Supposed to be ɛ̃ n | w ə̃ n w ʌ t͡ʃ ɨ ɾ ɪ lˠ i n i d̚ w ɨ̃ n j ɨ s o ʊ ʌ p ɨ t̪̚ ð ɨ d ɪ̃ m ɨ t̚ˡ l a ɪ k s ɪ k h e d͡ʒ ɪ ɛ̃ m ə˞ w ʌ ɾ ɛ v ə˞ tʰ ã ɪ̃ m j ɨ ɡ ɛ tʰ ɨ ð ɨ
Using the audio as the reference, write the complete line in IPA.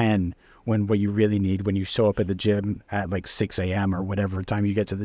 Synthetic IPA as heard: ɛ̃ n | w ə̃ n w ʌ t͡ʃ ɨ ɹ ɪ lˠ i n i d̚ w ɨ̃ n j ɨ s o ʊ ʌ p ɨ t̪̚ ð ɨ d͡ʒ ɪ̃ m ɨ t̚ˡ l a ɪ k s ɪ k s e ɪ ɛ̃ m ə˞ w ʌ ɾ ɛ v ə˞ tʰ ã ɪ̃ m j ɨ ɡ ɛ tʰ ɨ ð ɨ